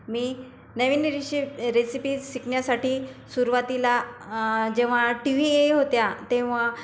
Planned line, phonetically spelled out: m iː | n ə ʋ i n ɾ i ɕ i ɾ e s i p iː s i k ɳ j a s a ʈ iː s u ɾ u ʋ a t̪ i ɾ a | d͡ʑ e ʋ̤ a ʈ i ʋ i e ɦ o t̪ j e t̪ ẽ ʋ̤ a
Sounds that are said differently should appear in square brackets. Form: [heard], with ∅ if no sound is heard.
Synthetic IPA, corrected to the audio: m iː | n ə ʋ i n ɾ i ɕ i ɾ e s i p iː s i k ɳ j a s a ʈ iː s u ɾ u ʋ a t̪ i [l] a | d͡ʑ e ʋ̤ a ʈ i ʋ i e ɦ o t̪ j [a] t̪ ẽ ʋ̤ a